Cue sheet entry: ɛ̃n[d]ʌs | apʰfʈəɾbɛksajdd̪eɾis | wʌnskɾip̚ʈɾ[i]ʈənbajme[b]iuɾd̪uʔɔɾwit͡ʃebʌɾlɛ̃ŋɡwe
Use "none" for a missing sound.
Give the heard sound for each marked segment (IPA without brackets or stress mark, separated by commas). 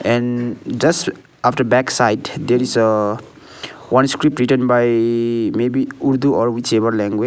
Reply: d͡ʒ, i, b